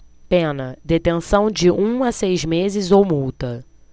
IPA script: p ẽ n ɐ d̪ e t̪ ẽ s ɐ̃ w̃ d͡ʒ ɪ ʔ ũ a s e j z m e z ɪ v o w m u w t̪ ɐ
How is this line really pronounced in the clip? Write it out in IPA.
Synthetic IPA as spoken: p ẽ n ɐ d̪ e t̪ ẽ s ɐ̃ w̃ d͡ʒ ɪ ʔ ũ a s e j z m e z ɪ z o w m u w t̪ ɐ